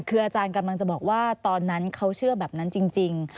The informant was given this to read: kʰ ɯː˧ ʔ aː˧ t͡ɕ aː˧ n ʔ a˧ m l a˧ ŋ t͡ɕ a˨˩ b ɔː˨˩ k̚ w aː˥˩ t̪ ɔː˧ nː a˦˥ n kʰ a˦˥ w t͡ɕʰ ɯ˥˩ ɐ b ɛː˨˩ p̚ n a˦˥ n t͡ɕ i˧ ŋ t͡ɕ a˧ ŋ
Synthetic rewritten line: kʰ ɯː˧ ʔ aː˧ t͡ɕ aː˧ n k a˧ m l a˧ ŋ t͡ɕ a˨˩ b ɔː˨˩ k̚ w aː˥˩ t̪ ɔː˧ nː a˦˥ n kʰ a˦˥ w t͡ɕʰ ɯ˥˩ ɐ b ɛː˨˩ p̚ n a˦˥ n t͡ɕ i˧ ŋ t͡ɕ i˧ ŋ